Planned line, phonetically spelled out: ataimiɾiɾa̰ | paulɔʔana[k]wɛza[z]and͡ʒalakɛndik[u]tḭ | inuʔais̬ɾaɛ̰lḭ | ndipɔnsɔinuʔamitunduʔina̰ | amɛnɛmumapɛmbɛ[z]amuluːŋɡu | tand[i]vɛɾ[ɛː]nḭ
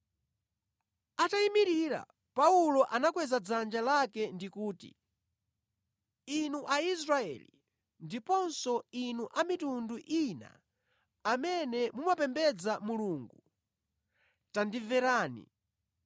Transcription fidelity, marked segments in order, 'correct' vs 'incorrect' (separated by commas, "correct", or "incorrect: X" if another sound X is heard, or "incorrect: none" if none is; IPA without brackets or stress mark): correct, incorrect: d͡z, incorrect: uː, incorrect: d͡z, correct, incorrect: aː